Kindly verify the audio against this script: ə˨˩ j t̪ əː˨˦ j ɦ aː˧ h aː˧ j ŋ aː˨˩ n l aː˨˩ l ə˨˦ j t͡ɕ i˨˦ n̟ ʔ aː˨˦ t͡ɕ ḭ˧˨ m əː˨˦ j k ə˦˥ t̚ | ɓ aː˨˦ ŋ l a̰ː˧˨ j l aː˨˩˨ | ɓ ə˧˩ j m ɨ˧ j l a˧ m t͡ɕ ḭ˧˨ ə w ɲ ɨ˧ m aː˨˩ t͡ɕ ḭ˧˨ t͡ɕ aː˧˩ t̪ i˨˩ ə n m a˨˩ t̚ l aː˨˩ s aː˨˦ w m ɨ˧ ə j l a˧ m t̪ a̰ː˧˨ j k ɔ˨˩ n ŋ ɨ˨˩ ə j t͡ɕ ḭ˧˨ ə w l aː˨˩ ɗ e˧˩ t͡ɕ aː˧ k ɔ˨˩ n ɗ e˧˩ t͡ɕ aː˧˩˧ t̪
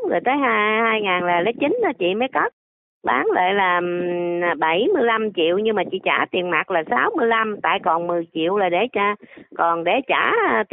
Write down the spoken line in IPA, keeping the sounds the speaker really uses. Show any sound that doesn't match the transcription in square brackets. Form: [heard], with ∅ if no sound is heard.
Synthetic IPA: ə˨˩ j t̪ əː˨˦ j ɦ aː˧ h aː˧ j ŋ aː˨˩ n l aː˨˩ l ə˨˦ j t͡ɕ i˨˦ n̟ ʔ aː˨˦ t͡ɕ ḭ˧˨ m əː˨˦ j k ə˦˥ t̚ | ɓ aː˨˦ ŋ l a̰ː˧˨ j l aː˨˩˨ | ɓ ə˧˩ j m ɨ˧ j l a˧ m t͡ɕ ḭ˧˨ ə w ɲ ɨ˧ m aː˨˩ t͡ɕ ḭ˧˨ t͡ɕ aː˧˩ t̪ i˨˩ ə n m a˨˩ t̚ l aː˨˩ s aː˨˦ w m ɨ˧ ə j l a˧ m t̪ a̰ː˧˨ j k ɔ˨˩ n [m] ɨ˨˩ ə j t͡ɕ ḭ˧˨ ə w l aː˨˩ ɗ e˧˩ t͡ɕ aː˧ k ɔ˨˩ n ɗ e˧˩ t͡ɕ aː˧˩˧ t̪